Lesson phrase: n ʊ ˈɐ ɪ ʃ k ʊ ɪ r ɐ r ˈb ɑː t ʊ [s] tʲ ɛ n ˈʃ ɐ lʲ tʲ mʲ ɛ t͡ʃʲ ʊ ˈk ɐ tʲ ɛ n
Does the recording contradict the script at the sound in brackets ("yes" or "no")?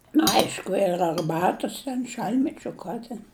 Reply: no